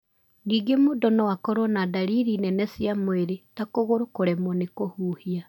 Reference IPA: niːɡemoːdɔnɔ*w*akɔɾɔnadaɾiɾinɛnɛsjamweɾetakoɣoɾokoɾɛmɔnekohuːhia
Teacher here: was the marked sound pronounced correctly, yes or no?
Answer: yes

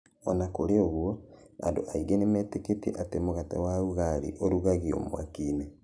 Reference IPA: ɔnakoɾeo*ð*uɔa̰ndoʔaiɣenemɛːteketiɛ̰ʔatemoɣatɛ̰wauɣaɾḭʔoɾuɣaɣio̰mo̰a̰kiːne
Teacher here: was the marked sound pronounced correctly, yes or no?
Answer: no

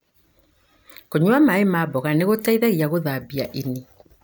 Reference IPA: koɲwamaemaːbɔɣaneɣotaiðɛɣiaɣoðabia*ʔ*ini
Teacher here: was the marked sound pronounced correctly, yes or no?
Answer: yes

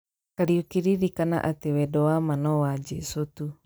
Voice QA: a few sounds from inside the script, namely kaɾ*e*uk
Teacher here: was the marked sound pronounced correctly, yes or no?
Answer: no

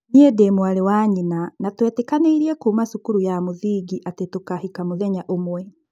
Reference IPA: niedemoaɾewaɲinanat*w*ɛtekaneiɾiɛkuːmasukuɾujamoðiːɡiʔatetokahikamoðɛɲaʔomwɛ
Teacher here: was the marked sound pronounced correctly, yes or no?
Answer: yes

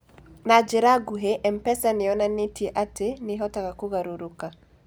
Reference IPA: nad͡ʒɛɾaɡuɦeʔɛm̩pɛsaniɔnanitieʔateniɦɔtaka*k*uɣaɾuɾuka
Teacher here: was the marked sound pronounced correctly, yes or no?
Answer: yes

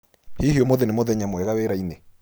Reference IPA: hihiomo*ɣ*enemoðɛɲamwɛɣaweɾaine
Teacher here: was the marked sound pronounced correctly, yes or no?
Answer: no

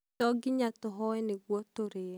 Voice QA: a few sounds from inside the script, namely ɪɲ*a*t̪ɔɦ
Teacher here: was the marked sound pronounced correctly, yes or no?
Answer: yes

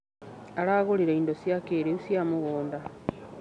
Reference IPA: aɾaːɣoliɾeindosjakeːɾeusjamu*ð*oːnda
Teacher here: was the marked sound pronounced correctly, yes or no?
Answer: no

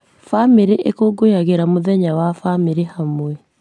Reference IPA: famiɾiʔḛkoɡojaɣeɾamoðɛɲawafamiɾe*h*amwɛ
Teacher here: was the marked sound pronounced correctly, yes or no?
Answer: yes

